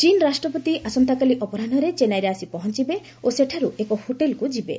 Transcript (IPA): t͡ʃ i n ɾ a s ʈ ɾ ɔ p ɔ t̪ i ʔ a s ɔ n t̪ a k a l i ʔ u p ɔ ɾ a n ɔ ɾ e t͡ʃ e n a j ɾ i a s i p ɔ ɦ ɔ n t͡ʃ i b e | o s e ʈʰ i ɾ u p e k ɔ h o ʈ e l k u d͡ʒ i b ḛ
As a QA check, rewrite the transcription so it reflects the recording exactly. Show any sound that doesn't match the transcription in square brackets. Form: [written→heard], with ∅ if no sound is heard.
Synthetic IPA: t͡ʃ i n ɾ a s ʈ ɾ ɔ p ɔ t̪ i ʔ a s ɔ n t̪ a k a l i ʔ [u→ɔ] p ɔ ɾ a n ɔ ɾ e t͡ʃ e n a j ɾ [i→e] a s i p ɔ ɦ ɔ n t͡ʃ i b e | o s e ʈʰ [i→a] ɾ u [p→∅] e k ɔ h o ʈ e l k u d͡ʒ i b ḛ